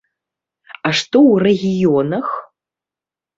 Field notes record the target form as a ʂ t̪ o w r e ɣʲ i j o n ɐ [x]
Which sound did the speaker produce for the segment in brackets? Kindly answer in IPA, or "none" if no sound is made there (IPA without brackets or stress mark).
x